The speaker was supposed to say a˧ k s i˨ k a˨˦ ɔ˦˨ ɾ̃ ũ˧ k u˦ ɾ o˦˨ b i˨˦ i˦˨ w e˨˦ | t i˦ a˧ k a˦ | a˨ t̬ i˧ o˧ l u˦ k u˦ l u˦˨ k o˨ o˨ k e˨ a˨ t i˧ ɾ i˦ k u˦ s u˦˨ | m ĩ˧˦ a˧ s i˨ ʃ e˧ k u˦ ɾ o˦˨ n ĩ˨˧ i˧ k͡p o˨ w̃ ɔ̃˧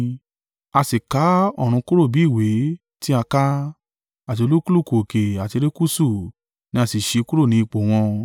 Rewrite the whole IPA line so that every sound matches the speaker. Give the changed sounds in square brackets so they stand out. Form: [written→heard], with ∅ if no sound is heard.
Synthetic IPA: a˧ [k→∅] s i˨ k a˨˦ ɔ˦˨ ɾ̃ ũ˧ k u˦ ɾ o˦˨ b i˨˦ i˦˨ w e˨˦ | t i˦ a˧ k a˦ | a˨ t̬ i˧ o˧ l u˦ k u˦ l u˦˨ k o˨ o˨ k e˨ a˨ t i˧ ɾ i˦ k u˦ s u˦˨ | [m→n] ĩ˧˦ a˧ s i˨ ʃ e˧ k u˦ ɾ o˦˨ n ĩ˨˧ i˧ k͡p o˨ w̃ ɔ̃˧